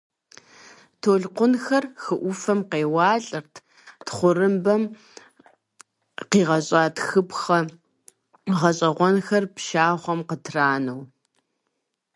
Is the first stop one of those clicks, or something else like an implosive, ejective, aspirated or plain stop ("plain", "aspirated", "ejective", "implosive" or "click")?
aspirated